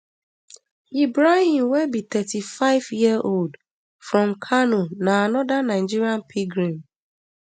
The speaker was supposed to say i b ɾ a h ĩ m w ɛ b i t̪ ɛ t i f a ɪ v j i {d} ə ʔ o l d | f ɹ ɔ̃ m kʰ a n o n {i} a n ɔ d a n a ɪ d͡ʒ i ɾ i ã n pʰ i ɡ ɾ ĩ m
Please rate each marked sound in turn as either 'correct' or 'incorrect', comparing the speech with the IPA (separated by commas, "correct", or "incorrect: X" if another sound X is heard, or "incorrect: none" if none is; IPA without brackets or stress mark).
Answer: incorrect: none, incorrect: a